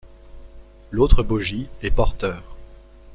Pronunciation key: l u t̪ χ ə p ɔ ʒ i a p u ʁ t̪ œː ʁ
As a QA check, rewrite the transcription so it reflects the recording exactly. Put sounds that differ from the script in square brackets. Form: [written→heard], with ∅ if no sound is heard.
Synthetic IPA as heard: l [u→o] t̪ χ ə [p→b] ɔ ʒ i [a→ɛ] p [u→ɔ] ʁ t̪ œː ʁ

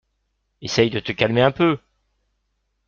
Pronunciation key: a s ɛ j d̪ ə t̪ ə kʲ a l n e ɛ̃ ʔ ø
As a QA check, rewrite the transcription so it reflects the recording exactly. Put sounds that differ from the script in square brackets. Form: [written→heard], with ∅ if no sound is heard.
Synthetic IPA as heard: [a→e] s ɛ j d̪ ə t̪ ə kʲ a l [n→m] e ɛ̃ [ʔ→p] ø

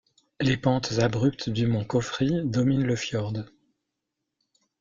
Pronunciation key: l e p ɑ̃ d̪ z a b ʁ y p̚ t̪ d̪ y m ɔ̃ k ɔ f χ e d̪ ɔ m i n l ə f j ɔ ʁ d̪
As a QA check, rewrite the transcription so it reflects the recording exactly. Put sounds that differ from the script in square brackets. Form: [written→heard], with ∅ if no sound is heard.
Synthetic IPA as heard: l e p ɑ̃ [d̪→t̪] z a b ʁ y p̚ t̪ d̪ y m ɔ̃ k ɔ f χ [e→i] d̪ ɔ m i n l ə f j ɔ ʁ d̪

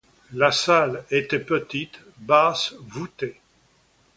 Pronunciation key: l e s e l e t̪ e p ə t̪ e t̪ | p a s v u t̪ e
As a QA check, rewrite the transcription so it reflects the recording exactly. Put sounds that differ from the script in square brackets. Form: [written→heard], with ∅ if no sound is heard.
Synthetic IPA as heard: l [e→a] s [e→a] l e t̪ [e→ɛ] p ə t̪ [e→i] t̪ | [p→b] a s v u t̪ e

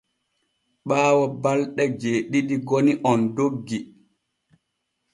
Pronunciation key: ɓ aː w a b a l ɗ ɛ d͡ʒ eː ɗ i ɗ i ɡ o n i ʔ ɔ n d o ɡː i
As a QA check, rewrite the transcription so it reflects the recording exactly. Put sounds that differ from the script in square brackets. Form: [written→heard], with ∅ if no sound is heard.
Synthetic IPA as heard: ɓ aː w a b a l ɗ ɛ d͡ʒ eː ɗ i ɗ i ɡ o n i ʔ ɔ n d o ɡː i

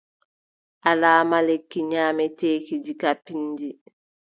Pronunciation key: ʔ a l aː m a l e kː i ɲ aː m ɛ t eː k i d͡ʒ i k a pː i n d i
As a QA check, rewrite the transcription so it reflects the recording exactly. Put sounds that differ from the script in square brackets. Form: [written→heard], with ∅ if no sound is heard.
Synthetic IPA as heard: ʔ a l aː m a l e kː i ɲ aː m ɛ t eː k i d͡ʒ i k a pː i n d i

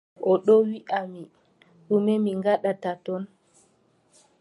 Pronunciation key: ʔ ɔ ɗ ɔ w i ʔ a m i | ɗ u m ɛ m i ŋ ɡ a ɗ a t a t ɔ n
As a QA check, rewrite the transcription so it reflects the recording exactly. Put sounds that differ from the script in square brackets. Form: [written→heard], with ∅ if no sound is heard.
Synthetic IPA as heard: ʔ ɔ ɗ ɔ w i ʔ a m i | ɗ u m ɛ m i ŋ ɡ a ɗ a t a t ɔ n

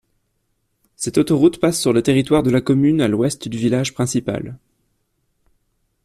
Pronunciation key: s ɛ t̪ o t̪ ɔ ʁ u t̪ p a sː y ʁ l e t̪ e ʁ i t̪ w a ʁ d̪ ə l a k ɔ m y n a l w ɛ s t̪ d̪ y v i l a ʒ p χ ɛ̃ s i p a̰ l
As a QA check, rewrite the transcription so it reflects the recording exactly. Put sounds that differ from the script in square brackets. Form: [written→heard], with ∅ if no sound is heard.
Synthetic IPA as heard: s ɛ t̪ o t̪ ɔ ʁ u t̪ p a sː y ʁ l e t̪ e ʁ i t̪ w a ʁ d̪ ə l a k ɔ m y n a l w ɛ s t̪ d̪ y v i l a ʒ p χ ɛ̃ s i p a̰ l

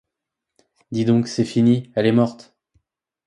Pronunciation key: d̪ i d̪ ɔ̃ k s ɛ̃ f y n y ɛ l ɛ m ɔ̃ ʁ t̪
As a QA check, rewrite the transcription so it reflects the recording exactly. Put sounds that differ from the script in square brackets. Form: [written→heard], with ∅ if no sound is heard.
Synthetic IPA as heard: d̪ i d̪ ɔ̃ k s [ɛ̃→ɛ] f [y→i] n [y→i] ɛ l ɛ m [ɔ̃→ɔ] ʁ t̪

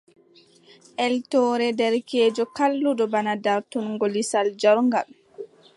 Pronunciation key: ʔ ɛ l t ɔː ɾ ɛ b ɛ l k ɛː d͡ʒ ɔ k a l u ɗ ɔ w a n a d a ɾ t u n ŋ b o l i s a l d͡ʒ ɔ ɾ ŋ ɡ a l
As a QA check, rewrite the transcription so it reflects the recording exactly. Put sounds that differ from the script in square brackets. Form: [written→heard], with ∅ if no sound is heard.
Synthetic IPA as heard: ʔ ɛ l t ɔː ɾ ɛ [b→d] ɛ [l→ɾ] k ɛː d͡ʒ ɔ k a [l→lː] u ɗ ɔ [w→b] a n a d a ɾ t u n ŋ [b→ɡ] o l i s a l d͡ʒ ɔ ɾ ŋ ɡ a l

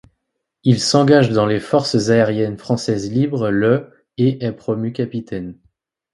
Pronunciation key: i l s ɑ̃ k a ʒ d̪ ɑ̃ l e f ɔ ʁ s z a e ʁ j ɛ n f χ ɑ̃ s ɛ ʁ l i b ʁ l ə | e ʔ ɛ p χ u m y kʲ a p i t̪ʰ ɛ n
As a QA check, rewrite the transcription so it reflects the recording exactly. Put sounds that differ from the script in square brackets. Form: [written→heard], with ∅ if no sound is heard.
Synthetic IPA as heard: i l s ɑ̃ [k→ɡ] a ʒ d̪ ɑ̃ l e f ɔ ʁ s z a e ʁ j ɛ n f χ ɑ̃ s ɛ [ʁ→z] l i b ʁ l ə | e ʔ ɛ p χ [u→ɔ] m y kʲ a p i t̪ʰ ɛ n

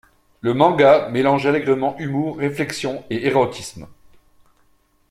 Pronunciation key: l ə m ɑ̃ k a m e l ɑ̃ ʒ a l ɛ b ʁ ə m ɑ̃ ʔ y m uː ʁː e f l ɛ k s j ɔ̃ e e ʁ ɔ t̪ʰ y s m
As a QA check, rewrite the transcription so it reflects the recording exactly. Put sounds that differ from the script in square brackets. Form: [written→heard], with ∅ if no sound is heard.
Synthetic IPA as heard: l ə m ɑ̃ [k→ɡ] a m e l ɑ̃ ʒ a l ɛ [b→ɡ] ʁ ə m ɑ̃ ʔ y m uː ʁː e f l ɛ k s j ɔ̃ e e ʁ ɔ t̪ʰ [y→i] s m

